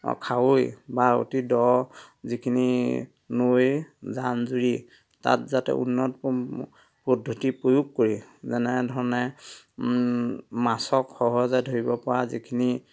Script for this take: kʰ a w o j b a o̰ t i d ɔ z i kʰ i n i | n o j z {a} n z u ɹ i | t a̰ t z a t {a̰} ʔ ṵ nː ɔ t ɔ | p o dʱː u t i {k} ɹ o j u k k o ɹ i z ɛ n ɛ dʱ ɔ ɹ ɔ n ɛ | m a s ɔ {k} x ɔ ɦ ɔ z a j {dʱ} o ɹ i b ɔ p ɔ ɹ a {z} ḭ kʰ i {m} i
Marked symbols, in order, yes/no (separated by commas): yes, no, no, yes, yes, yes, no